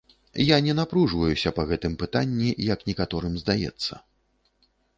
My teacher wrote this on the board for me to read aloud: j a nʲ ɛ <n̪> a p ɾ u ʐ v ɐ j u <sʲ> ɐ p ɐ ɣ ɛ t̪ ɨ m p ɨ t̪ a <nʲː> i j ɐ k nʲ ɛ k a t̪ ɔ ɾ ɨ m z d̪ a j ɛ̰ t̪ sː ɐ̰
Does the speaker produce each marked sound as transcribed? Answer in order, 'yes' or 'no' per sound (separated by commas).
yes, yes, yes